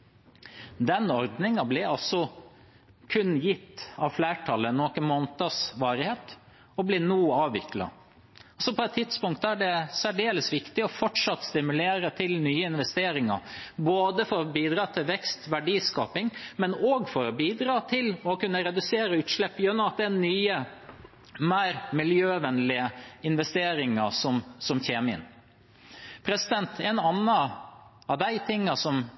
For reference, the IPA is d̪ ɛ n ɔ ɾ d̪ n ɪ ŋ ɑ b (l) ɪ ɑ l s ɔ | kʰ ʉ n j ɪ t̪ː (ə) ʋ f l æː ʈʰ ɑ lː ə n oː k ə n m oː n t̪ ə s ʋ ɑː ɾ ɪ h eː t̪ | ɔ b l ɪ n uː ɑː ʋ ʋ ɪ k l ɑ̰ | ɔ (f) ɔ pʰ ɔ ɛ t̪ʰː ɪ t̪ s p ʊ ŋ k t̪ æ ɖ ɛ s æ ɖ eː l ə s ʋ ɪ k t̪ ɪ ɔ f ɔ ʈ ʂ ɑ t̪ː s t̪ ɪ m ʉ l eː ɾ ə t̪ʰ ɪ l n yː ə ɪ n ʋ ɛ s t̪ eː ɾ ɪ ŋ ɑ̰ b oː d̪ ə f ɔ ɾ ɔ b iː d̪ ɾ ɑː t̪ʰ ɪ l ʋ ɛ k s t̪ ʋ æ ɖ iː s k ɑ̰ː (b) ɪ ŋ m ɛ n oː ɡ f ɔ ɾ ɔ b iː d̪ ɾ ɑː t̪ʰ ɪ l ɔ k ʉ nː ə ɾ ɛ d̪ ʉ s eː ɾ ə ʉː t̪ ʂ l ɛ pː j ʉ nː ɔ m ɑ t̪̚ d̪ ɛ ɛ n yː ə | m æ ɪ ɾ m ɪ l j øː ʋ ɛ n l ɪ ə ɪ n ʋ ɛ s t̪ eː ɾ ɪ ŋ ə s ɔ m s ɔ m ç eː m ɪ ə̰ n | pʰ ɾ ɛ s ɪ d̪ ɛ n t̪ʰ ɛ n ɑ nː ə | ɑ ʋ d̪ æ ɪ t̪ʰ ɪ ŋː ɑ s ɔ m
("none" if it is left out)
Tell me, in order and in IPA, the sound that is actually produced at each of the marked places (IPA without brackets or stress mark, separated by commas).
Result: l, ɑ, s, p